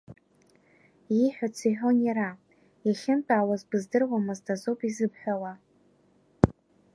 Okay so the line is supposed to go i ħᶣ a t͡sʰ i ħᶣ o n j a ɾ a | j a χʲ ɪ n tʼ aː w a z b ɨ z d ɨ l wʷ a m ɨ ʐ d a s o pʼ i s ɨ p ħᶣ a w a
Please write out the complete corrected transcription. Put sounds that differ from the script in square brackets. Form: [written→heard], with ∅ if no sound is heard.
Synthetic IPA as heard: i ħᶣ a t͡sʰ i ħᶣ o n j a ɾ a | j a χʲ ɪ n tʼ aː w a z b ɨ z d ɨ [l→r] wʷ a m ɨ [ʐ→z] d a [s→z] o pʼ i [s→z] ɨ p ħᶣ a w a